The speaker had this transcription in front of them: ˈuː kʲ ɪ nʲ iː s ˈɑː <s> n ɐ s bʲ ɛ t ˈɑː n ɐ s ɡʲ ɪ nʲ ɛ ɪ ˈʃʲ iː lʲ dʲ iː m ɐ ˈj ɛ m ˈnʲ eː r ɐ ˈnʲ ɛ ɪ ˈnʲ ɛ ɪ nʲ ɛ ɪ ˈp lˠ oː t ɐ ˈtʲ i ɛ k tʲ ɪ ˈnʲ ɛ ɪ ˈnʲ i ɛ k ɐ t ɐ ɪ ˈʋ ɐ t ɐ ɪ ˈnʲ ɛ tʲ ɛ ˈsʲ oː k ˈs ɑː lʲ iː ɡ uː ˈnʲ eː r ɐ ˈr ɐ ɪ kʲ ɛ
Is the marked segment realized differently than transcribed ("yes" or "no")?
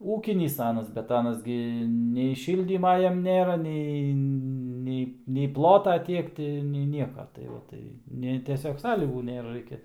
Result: yes